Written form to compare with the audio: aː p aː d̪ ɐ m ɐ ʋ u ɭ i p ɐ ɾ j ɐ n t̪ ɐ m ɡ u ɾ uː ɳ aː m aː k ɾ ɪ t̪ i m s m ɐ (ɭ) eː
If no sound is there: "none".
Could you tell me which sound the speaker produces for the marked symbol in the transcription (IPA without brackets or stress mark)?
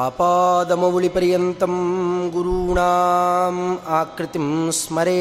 ɾ